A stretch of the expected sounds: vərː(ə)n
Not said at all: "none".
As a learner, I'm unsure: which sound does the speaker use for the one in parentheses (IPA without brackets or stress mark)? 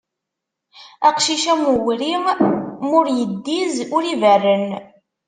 ə